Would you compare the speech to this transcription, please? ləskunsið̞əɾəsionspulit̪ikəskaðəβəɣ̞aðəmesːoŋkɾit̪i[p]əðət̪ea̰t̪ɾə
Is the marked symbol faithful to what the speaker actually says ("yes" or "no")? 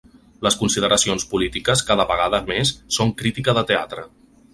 no